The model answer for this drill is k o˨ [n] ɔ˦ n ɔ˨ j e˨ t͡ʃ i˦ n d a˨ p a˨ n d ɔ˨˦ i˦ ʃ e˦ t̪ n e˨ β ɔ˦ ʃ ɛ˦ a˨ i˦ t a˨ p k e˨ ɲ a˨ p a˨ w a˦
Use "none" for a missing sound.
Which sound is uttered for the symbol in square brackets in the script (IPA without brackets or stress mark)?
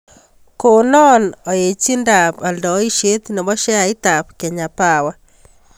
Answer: n